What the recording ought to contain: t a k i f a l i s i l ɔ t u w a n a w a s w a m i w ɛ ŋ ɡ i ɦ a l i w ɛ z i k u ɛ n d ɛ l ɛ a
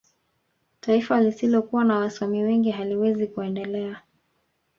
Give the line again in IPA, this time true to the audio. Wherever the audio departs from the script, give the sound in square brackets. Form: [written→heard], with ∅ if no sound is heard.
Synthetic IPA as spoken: t a [k→∅] i f a l i s i l ɔ [t→k] u w a n a w a s w a m i w ɛ ŋ ɡ i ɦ a l i w ɛ z i k u ɛ n d ɛ l ɛ a